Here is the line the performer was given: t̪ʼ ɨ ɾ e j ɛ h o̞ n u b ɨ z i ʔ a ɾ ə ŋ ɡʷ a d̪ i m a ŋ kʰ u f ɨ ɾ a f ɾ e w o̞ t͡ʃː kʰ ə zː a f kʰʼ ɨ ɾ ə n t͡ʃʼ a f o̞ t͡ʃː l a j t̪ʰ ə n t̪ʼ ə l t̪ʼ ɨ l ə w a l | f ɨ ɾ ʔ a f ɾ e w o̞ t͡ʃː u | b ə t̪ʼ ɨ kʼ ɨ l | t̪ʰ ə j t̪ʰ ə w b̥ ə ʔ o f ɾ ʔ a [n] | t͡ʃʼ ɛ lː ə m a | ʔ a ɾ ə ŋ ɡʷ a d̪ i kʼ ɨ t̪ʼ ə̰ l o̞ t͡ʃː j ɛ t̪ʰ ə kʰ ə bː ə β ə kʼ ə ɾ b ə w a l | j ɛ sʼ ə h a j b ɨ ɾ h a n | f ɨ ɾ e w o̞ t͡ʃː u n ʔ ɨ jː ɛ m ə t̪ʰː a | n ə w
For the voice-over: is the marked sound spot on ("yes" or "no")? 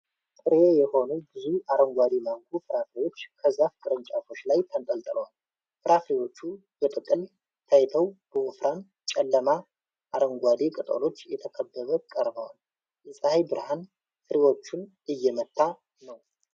yes